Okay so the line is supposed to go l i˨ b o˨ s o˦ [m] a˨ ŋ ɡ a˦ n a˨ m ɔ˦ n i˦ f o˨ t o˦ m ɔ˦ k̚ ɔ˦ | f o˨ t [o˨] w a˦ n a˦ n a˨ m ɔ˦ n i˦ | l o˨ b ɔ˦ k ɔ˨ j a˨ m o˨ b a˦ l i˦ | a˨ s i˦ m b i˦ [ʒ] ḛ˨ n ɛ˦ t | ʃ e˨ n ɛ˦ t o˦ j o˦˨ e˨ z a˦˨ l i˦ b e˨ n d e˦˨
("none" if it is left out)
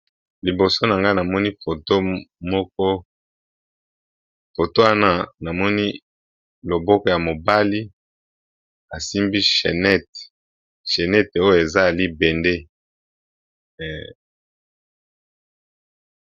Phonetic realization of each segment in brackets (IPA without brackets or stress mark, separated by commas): n, o˦, ʃ